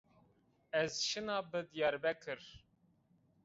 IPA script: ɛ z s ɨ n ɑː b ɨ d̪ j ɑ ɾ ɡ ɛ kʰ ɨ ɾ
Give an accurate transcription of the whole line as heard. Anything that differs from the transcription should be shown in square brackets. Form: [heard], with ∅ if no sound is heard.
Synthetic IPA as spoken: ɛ z [ʃ] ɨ n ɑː b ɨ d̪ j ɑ ɾ [b] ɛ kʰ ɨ ɾ